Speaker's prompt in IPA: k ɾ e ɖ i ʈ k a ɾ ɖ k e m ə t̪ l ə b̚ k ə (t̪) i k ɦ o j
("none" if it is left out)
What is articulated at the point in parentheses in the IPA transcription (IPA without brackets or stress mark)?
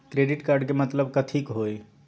t̪ʰ